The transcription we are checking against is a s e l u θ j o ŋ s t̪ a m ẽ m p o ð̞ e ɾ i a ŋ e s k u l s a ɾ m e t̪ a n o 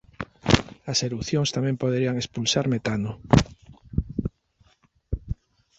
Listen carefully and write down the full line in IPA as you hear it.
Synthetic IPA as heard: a s e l u θ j o ŋ s t̪ a m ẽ m p o ð̞ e ɾ i a ŋ e s p u l s a ɾ m e t̪ a n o